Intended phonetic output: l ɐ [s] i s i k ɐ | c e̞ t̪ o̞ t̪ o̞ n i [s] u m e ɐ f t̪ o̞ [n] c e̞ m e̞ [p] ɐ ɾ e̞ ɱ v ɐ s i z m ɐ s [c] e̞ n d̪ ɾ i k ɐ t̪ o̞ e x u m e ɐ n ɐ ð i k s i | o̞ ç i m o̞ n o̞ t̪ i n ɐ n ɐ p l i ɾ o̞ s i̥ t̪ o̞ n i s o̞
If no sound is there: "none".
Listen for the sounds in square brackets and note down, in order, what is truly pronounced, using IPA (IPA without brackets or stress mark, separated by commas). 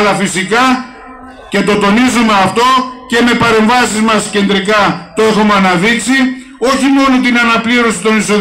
f, z, none, p, c